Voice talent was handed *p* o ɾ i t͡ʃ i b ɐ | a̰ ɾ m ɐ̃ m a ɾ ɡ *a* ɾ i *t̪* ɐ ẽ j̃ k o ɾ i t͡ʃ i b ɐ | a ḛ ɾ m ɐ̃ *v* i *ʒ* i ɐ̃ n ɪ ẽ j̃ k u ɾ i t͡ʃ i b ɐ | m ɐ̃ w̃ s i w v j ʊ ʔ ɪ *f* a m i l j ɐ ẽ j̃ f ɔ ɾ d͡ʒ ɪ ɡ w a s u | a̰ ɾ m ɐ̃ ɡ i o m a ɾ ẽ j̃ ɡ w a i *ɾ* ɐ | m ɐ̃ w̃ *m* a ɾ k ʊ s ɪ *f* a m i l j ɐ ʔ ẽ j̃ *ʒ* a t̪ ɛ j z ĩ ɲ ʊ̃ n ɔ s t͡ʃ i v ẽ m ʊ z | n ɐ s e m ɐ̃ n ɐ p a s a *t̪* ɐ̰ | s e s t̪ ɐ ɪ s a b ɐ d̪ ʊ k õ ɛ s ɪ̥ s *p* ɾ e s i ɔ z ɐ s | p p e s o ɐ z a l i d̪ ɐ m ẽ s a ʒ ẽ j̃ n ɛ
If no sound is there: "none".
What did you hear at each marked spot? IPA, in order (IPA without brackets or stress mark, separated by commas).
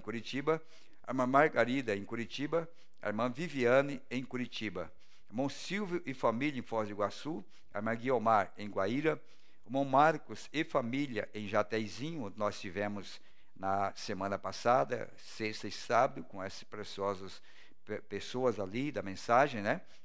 k, a, d̪, v, v, f, ɾ, m, f, ʒ, d̪, p